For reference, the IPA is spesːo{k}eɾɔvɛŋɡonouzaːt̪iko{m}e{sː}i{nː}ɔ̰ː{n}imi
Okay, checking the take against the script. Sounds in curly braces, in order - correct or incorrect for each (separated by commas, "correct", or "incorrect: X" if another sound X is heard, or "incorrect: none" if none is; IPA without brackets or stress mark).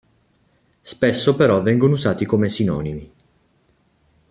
incorrect: p, correct, incorrect: s, incorrect: n, correct